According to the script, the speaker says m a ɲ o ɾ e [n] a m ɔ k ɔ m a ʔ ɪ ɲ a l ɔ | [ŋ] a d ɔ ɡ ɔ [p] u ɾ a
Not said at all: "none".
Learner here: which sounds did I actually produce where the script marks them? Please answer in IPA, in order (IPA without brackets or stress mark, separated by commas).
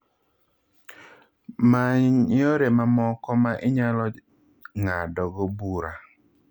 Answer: m, ŋ, b